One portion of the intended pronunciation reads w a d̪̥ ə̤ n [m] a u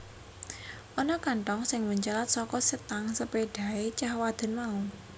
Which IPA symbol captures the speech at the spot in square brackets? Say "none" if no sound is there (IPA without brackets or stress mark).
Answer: m